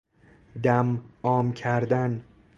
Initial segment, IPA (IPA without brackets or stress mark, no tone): d̪